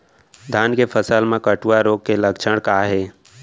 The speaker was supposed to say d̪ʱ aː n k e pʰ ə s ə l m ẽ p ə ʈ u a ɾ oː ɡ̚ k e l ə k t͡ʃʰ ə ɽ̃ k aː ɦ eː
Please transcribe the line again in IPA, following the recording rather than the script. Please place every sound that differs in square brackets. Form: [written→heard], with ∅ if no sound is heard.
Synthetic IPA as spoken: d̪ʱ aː n k e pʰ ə s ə l m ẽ [p→k] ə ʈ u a ɾ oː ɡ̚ k e l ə k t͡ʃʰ ə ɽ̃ k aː ɦ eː

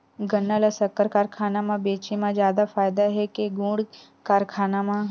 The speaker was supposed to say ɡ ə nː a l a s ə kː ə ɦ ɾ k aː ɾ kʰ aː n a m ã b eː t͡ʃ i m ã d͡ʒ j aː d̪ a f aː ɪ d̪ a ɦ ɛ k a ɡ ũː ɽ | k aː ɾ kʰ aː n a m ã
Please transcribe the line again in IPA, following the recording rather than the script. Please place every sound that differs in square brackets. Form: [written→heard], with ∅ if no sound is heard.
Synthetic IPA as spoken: ɡ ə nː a l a s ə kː ə [ɦ→∅] ɾ k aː ɾ kʰ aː n a m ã b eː t͡ʃ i m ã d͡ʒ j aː d̪ a f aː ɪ d̪ a ɦ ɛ k [a→e] ɡ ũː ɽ | k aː ɾ kʰ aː n a m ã

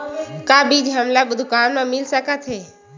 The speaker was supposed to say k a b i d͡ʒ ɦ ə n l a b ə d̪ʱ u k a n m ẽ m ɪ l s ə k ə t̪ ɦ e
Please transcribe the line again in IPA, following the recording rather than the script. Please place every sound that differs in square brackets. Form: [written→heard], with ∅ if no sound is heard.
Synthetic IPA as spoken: k a b i d͡ʒ ɦ ə [n→m] l a b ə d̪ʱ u k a n m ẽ m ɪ l s ə k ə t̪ ɦ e

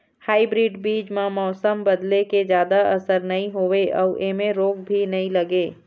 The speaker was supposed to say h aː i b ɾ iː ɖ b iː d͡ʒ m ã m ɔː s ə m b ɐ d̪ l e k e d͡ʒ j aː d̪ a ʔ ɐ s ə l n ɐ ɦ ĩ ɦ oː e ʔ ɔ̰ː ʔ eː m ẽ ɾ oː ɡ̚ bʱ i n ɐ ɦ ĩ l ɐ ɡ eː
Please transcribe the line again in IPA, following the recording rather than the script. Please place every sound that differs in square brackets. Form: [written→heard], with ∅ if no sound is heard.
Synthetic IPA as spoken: h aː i b ɾ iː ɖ b iː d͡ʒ m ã m ɔː s ə m b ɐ d̪ l e k e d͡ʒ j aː d̪ a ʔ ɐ s ə [l→ɾ] n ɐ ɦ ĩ ɦ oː e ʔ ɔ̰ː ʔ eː m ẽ ɾ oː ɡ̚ bʱ i n ɐ ɦ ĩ l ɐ ɡ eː

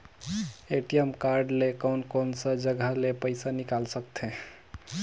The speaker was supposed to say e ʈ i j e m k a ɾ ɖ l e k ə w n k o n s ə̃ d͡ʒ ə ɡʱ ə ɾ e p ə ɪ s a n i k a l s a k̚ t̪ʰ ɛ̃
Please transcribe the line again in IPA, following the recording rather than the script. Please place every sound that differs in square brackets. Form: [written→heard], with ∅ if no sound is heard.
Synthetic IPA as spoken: e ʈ i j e m k a ɾ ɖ l e k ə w n k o n s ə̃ d͡ʒ ə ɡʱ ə [ɾ→l] e p ə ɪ s a n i k a l s [a→ə] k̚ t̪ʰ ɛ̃

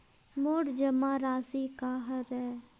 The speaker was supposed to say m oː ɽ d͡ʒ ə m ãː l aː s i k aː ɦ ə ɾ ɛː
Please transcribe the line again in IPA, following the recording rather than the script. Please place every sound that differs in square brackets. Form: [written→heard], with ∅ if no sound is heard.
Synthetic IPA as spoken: m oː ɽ d͡ʒ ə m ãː [l→ɾ] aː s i k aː ɦ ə ɾ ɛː

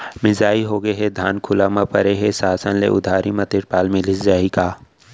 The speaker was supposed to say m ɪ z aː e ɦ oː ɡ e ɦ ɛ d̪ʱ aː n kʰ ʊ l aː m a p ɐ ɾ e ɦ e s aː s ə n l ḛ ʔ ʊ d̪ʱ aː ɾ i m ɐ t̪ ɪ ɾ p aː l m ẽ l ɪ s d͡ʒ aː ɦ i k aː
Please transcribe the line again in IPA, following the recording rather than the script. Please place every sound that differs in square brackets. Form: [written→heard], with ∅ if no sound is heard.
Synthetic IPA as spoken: m ɪ z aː [e→i] ɦ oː ɡ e ɦ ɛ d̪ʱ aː n kʰ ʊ l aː m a p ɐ ɾ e ɦ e s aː s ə n l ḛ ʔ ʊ d̪ʱ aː ɾ i m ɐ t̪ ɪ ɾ p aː l m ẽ l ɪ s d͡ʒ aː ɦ i k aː

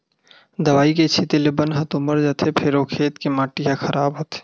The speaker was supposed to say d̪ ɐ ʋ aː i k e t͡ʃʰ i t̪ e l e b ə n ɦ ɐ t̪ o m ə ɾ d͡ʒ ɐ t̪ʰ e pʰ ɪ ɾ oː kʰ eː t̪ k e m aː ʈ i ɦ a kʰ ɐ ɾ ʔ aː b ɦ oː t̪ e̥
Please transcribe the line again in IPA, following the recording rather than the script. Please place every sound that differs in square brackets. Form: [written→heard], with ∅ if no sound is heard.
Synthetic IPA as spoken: d̪ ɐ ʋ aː i k e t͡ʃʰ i t̪ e l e b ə n ɦ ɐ t̪ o m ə ɾ d͡ʒ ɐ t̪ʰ e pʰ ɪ ɾ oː kʰ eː t̪ k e m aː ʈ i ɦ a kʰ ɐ ɾ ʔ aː b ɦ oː t̪ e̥

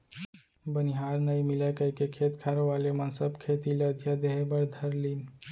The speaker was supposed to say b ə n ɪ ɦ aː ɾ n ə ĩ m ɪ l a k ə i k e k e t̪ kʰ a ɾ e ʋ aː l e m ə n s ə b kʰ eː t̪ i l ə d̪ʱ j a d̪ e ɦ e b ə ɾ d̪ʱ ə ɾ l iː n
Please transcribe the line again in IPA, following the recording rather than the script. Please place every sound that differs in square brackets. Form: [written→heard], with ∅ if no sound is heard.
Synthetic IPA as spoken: b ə n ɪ ɦ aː ɾ n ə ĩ m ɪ l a k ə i k e [k→kʰ] e t̪ kʰ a ɾ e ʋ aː l e m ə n s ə b kʰ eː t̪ i l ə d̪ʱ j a d̪ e ɦ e b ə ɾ d̪ʱ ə ɾ l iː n

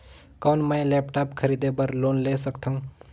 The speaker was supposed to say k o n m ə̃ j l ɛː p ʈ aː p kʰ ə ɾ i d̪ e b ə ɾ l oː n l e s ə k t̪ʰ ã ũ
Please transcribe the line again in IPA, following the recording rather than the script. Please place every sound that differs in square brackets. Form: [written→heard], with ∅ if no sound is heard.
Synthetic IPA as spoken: k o n m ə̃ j l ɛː p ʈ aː p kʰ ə ɾ i d̪ e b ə ɾ l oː n l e s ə k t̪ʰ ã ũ

